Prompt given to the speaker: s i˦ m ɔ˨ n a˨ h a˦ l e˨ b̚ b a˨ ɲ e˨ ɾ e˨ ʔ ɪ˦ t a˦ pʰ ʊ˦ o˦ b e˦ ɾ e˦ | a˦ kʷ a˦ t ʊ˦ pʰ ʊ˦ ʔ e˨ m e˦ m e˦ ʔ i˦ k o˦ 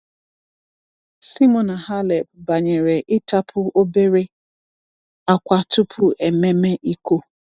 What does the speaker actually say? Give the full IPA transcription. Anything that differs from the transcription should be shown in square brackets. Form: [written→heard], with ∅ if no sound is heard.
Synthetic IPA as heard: s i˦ m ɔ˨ n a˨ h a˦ l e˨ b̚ b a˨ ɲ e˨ ɾ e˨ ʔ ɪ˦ t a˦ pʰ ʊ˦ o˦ b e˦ ɾ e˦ | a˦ kʷ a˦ t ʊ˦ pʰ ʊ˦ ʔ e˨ m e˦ m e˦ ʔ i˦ k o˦